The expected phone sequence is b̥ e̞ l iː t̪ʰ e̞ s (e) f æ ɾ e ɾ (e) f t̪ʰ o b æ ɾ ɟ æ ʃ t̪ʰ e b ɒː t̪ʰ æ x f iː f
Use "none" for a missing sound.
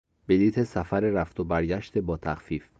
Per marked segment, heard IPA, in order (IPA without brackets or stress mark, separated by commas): æ, æ